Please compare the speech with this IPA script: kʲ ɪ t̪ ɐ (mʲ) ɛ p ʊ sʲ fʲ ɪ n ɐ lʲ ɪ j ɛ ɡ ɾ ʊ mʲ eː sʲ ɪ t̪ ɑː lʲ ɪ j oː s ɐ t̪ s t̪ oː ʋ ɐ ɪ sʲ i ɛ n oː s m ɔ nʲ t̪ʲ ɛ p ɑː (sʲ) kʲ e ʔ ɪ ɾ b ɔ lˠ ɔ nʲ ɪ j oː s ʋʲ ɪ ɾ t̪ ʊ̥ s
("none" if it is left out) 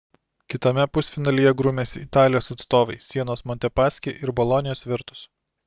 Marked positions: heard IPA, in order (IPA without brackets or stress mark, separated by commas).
mʲ, sʲ